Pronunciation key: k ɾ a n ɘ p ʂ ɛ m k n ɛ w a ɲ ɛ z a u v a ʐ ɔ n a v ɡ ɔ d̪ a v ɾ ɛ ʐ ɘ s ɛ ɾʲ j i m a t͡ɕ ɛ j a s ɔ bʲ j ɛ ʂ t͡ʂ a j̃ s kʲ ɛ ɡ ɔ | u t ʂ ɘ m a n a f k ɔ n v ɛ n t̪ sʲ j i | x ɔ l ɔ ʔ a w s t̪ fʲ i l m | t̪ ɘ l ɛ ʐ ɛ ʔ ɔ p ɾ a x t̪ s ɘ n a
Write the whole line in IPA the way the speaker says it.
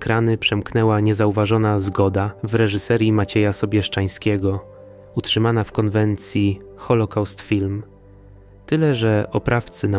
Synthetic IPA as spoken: k ɾ a n ɘ p ʂ ɛ m k n ɛ w a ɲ ɛ z a u v a ʐ ɔ n a z ɡ ɔ d̪ a v ɾ ɛ ʐ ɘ s ɛ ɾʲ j i m a t͡ɕ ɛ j a s ɔ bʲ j ɛ ʂ t͡ʂ a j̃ s kʲ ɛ ɡ ɔ | u t ʂ ɘ m a n a f k ɔ n v ɛ n t̪ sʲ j i | x ɔ l ɔ k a w s t̪ fʲ i l m | t̪ ɘ l ɛ ʐ ɛ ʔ ɔ p ɾ a f t̪ s ɘ n a